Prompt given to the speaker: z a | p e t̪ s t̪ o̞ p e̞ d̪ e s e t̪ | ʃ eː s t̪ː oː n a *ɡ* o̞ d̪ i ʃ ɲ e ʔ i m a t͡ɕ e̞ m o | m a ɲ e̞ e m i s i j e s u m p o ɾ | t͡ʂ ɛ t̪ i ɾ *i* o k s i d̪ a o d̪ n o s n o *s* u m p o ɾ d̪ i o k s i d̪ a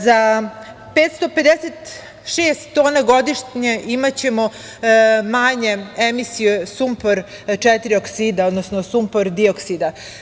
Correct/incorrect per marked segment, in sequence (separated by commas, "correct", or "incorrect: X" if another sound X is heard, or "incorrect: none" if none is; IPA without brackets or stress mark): correct, correct, correct